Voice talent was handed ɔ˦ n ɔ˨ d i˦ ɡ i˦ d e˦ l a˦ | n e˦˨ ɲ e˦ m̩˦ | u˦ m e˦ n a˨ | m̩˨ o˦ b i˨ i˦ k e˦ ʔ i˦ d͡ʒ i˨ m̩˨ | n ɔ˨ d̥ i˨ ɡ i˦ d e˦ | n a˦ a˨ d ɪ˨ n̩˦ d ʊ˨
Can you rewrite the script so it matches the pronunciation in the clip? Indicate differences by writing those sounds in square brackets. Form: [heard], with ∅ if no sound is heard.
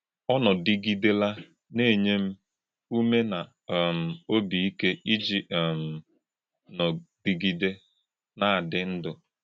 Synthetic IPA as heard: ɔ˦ n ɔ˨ d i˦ ɡ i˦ d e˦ l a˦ | n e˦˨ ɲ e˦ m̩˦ | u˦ m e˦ n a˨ | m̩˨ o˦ b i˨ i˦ k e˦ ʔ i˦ d͡ʒ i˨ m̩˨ | n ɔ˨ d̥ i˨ ɡ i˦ d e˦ | n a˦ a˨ d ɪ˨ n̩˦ d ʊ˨